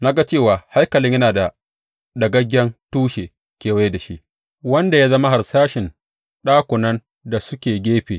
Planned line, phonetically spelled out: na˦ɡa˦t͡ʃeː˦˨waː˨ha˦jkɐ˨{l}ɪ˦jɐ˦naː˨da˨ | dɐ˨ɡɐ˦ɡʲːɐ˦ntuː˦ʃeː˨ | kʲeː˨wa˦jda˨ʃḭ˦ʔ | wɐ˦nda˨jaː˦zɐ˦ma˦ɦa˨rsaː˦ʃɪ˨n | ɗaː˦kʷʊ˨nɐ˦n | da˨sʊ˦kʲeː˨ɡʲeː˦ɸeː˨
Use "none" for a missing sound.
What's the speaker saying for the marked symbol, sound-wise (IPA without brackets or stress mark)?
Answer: l